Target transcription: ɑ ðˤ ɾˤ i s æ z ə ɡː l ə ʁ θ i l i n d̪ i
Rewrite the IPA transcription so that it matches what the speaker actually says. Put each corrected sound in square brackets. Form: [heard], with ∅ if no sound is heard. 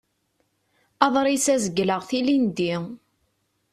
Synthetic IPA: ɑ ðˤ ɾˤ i s æ z ə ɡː l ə ʁ θ i l i n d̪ i